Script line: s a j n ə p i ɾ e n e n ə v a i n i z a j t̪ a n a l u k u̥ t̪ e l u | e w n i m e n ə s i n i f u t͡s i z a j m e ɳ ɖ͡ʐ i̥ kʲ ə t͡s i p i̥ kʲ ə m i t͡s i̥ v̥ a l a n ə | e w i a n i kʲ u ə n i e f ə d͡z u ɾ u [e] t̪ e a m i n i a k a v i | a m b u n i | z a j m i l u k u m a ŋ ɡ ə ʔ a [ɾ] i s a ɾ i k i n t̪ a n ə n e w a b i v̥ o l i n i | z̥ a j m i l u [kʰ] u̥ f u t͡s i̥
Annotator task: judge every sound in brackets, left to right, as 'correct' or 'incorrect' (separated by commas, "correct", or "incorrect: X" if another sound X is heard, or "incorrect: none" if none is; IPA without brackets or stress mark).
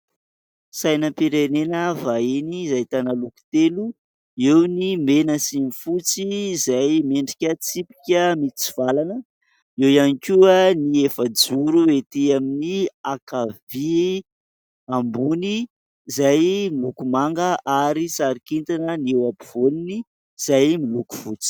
correct, correct, incorrect: k